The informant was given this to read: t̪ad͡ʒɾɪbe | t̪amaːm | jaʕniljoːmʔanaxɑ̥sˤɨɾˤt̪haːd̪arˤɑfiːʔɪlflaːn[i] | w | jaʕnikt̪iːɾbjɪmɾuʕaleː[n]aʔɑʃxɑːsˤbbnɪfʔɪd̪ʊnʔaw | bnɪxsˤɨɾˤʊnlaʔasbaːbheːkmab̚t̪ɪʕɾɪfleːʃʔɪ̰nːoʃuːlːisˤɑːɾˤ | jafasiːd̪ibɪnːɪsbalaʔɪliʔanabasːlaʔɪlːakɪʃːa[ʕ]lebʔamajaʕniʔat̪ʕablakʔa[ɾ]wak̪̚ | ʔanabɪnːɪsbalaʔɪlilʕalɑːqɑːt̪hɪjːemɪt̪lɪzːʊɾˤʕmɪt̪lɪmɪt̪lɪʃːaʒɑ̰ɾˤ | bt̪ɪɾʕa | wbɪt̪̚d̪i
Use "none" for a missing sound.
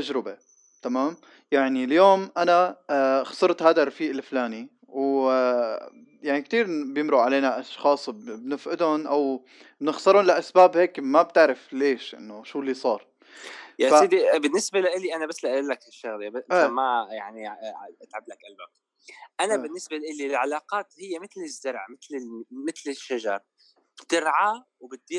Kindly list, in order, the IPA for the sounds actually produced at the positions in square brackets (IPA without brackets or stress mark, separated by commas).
i, n, ɣ, l